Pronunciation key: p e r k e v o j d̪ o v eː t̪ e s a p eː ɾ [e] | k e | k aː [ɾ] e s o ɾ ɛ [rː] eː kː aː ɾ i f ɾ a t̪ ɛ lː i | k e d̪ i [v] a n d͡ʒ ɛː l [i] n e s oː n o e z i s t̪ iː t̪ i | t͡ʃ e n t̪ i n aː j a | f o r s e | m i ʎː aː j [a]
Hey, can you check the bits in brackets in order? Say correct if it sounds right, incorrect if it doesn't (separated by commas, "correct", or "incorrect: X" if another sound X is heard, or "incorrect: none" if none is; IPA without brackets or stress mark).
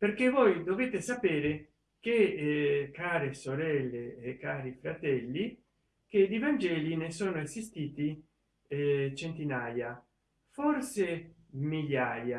correct, correct, incorrect: lː, correct, correct, correct